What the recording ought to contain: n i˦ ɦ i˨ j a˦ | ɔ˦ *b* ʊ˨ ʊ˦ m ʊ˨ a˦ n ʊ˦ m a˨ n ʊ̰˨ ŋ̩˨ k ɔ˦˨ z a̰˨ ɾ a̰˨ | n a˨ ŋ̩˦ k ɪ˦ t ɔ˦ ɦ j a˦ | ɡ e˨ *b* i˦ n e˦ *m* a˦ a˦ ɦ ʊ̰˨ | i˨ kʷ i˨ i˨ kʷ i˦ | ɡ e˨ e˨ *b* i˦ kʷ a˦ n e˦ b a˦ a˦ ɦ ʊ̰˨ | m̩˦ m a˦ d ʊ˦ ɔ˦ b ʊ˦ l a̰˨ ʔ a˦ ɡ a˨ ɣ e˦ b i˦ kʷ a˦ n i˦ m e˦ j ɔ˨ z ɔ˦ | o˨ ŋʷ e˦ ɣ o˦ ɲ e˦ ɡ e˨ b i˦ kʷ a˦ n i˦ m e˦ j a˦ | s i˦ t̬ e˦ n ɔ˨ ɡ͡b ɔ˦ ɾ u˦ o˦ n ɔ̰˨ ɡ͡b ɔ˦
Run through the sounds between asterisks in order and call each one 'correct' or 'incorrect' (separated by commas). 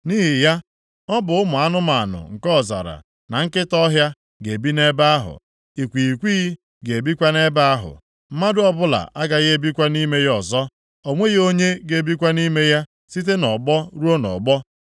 correct, correct, incorrect, correct